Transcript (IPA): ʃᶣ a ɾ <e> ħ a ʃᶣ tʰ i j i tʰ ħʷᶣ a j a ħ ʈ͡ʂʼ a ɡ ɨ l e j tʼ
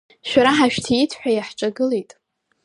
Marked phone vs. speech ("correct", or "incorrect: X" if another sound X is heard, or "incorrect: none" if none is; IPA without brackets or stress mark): incorrect: a